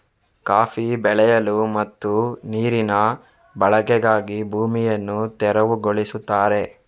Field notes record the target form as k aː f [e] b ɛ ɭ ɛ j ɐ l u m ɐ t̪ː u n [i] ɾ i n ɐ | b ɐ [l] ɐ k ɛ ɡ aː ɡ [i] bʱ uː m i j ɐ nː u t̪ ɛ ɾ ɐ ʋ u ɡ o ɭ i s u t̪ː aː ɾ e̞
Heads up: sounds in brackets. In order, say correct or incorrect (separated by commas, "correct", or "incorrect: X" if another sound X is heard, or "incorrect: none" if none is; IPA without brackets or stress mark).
incorrect: i, incorrect: iː, incorrect: ɭ, correct